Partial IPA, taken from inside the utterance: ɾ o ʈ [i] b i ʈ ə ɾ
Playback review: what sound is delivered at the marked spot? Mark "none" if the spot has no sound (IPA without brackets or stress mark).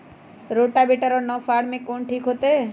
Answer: a